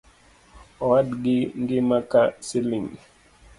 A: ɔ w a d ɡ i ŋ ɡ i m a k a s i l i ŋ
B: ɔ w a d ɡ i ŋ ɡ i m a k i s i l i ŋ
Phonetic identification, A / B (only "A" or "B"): A